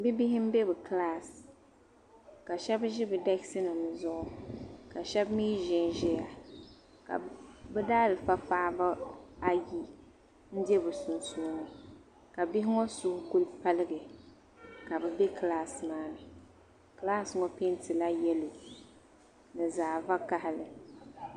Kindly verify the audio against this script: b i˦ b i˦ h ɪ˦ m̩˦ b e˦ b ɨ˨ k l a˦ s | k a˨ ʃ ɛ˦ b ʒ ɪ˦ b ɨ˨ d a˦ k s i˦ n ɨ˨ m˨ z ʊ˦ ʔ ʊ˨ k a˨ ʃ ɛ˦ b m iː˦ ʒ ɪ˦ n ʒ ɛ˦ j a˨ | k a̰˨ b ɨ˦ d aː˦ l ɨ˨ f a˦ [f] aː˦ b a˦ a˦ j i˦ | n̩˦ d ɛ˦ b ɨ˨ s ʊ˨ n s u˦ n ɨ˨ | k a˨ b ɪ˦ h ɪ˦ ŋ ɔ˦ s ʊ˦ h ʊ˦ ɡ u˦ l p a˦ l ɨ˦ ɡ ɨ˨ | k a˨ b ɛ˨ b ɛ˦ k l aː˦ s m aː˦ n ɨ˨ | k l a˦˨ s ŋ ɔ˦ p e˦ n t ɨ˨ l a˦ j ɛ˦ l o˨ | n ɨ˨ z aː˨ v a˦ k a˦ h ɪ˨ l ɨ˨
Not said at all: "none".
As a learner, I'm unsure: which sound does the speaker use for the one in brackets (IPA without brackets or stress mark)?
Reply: f